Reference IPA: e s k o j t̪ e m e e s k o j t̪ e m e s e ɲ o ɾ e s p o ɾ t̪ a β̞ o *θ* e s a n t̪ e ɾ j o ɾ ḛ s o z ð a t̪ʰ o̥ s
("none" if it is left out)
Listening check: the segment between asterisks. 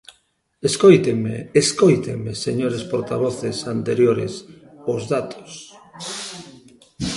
θ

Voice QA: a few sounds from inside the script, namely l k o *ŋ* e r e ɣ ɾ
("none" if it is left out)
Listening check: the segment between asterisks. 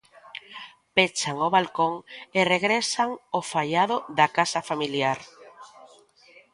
ŋ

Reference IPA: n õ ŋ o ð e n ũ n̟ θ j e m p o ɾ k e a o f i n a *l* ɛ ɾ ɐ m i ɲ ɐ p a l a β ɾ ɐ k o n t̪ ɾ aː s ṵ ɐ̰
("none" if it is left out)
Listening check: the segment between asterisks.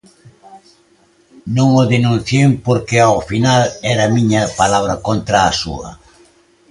l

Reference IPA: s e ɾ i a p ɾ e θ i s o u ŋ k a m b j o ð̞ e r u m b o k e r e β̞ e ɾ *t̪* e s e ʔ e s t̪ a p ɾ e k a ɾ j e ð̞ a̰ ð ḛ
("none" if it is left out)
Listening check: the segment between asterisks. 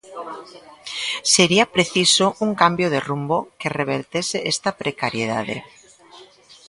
t̪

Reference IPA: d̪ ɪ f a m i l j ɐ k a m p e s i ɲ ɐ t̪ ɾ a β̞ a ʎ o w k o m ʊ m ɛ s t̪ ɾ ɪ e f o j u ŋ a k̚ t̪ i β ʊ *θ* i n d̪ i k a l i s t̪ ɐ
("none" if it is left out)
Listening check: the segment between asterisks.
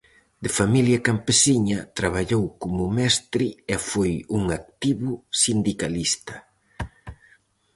s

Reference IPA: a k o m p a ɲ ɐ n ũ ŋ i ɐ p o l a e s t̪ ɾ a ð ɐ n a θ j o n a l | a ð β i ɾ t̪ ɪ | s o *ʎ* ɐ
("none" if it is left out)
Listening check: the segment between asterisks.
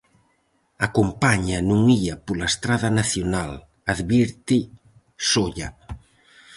ʎ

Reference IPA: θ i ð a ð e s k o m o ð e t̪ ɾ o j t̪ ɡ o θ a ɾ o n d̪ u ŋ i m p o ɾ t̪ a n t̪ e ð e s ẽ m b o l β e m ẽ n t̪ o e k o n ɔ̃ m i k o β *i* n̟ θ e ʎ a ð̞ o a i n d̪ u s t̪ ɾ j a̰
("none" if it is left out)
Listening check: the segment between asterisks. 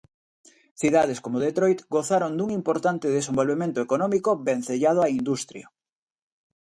e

